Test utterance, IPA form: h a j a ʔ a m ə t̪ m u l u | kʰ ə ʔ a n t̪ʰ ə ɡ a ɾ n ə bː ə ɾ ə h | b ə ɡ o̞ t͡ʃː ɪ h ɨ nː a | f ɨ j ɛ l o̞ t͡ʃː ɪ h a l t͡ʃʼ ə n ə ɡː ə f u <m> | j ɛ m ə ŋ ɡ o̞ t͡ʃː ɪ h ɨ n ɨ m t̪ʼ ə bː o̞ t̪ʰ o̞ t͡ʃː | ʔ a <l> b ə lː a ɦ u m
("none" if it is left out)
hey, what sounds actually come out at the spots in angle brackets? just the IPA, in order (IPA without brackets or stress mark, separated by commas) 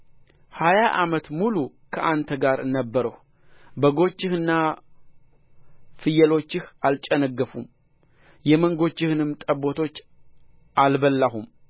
m, l